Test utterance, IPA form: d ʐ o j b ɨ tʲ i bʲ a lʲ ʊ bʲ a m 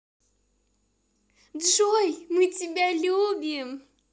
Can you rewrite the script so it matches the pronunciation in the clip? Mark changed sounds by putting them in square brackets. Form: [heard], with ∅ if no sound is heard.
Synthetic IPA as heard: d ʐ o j [m] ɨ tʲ i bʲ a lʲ [u] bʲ [i] m